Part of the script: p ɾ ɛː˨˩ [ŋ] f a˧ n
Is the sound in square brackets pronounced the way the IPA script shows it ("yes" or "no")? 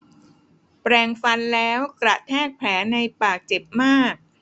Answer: yes